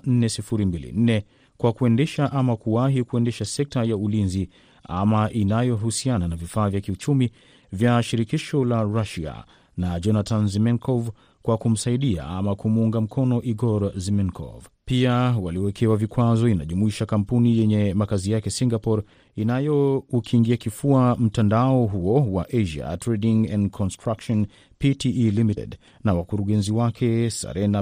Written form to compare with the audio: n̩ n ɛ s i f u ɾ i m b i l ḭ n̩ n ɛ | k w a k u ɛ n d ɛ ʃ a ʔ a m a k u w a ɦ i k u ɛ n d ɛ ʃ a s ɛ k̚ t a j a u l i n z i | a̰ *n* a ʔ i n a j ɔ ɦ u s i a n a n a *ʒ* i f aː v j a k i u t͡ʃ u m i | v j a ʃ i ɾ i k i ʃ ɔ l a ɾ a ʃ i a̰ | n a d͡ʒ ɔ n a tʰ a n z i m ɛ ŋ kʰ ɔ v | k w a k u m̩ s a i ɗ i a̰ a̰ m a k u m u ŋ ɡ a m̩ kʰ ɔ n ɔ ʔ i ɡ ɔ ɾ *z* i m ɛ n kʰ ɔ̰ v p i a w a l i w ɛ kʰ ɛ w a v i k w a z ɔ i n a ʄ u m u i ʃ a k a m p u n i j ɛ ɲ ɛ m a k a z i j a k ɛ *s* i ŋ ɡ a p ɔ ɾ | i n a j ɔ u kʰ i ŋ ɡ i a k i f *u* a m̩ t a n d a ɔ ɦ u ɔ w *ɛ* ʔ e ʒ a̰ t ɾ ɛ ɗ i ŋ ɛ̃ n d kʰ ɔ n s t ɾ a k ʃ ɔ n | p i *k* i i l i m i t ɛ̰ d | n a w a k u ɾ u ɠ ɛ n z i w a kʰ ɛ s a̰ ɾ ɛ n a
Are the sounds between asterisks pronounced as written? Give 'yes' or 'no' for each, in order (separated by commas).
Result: no, no, yes, yes, yes, no, no